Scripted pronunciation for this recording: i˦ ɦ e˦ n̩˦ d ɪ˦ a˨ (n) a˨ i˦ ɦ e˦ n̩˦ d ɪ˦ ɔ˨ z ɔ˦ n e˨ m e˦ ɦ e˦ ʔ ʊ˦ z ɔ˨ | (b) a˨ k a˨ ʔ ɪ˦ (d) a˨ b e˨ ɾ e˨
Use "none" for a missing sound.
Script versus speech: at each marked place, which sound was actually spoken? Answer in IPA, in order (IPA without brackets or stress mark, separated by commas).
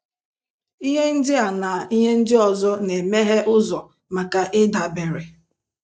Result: n, m, d